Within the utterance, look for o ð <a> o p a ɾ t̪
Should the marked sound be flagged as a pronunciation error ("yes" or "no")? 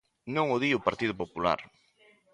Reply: yes